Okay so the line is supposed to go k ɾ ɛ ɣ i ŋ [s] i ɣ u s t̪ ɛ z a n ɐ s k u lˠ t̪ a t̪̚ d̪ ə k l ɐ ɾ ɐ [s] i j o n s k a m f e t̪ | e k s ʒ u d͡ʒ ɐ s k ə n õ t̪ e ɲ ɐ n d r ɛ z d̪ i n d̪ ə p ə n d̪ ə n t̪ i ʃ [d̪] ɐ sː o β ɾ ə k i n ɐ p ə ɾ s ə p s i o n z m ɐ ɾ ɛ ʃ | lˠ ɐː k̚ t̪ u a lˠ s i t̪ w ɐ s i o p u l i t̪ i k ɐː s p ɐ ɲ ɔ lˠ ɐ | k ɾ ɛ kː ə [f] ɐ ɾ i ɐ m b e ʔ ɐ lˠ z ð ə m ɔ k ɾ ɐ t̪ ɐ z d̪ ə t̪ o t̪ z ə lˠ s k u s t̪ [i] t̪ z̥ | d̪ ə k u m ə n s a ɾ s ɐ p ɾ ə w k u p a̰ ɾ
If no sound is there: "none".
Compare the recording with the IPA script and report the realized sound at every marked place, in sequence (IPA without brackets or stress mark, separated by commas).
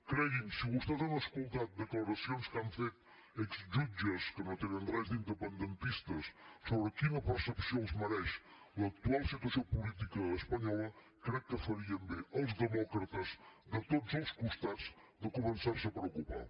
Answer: s, s, t̪, f, a